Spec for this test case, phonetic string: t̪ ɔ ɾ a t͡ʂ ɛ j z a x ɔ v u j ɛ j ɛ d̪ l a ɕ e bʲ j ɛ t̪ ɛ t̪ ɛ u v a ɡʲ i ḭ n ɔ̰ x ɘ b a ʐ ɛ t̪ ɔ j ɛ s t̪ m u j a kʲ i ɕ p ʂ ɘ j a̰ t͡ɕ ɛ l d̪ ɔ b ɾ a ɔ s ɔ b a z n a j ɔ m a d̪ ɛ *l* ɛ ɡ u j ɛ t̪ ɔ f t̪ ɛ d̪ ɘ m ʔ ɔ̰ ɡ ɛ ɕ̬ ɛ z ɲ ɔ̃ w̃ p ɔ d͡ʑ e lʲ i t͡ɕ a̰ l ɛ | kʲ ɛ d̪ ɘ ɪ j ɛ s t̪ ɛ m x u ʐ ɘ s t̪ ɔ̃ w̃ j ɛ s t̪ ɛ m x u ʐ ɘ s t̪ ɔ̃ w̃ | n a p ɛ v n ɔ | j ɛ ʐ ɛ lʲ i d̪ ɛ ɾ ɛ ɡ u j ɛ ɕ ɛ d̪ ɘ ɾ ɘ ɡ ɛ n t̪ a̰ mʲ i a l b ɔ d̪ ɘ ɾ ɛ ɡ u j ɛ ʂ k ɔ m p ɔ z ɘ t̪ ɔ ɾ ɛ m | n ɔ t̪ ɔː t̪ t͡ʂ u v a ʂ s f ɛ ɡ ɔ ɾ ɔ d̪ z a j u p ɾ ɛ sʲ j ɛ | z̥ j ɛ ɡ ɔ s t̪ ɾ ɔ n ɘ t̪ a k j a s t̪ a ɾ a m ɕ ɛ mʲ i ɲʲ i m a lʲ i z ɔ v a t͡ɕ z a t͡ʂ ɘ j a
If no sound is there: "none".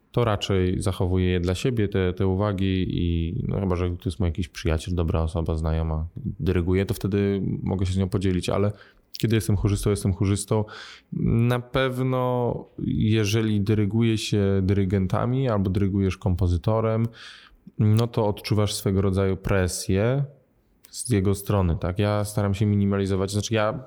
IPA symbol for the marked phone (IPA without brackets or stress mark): ɾ